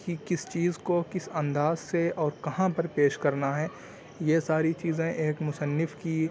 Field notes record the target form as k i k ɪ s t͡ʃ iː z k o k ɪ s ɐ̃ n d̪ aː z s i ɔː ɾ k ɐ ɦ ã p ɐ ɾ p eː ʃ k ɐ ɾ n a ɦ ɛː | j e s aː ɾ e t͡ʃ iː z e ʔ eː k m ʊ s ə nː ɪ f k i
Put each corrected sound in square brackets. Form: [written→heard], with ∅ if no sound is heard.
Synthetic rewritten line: k i k ɪ s t͡ʃ iː z k o k ɪ s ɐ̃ n d̪ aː z s [i→e] ɔː ɾ k ɐ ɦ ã p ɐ ɾ p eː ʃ k ɐ ɾ n a ɦ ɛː | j e s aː ɾ [e→i] t͡ʃ iː z [e→ẽ] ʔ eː k m ʊ s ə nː ɪ f k i